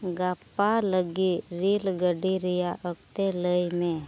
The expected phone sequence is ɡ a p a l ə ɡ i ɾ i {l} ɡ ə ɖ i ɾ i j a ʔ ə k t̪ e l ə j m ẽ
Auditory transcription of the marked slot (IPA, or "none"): l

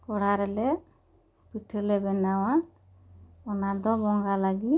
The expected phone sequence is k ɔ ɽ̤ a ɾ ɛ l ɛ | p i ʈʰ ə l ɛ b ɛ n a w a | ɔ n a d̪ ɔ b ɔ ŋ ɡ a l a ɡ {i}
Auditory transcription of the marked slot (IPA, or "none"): i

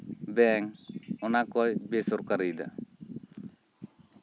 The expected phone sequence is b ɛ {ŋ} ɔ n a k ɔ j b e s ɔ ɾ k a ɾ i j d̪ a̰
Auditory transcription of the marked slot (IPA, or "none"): ŋ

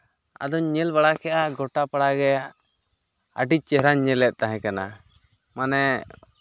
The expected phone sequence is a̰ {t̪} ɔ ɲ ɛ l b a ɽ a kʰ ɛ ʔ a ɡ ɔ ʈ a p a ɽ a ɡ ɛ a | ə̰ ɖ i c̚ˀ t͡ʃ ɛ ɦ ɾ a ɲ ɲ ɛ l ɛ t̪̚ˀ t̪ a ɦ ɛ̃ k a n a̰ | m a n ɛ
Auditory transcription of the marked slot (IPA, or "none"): d̪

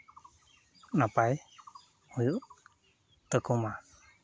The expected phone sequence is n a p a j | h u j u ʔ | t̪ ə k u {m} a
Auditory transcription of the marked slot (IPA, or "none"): m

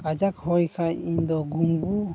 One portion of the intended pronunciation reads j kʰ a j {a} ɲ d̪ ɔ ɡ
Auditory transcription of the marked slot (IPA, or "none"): i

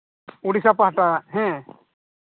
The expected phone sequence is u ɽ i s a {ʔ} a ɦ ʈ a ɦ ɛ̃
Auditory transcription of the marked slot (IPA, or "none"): p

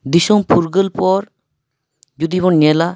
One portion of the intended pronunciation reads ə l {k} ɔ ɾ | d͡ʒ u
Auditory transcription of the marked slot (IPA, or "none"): p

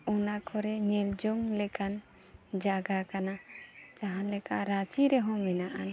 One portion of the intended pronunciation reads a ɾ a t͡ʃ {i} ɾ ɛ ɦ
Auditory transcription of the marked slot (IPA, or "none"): i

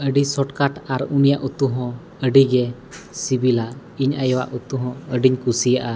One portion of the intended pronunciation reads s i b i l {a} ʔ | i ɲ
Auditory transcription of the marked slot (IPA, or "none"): a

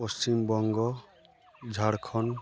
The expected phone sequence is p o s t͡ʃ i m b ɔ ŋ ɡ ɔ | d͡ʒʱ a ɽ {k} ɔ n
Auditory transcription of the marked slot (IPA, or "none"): kʰ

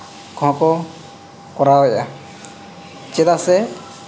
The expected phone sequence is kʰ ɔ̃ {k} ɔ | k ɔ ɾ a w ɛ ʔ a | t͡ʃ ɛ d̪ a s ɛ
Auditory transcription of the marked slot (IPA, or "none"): k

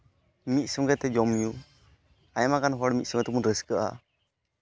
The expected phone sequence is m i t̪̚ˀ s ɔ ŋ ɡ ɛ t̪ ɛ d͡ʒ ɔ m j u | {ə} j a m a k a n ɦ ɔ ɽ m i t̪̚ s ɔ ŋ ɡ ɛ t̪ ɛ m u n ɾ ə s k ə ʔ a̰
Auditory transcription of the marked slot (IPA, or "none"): a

